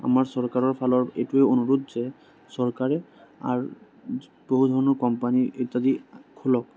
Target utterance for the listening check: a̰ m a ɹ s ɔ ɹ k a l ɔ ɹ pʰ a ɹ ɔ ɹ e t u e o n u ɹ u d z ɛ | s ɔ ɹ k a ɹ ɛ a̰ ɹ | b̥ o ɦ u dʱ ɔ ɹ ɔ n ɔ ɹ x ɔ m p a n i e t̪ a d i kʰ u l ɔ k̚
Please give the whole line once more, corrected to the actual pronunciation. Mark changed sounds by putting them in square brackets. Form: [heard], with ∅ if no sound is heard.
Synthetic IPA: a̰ m a ɹ s ɔ ɹ k a [ɹ] ɔ ɹ pʰ a [l] ɔ ɹ e t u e o n u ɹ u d z ɛ | s ɔ ɹ k a ɹ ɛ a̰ ɹ | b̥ o ɦ u dʱ ɔ ɹ ɔ n ɔ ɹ [k] ɔ m p a n i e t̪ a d i kʰ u l ɔ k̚